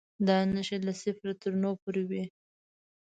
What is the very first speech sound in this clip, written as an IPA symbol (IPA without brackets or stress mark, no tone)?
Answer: d̪